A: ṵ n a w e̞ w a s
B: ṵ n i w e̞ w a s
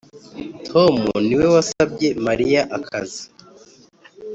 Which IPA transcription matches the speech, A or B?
B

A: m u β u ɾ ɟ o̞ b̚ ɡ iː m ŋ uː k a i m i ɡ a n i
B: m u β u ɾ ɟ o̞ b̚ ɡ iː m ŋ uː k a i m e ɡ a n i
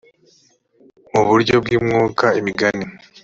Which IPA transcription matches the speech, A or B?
A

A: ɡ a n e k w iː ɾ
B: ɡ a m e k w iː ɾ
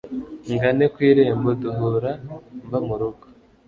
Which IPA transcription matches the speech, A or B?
A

